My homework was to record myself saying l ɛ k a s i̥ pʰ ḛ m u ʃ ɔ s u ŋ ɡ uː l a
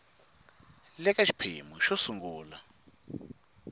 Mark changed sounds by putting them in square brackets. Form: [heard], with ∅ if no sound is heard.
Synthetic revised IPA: l ɛ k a [ʃ] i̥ pʰ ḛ m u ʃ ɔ s u ŋ ɡ uː l a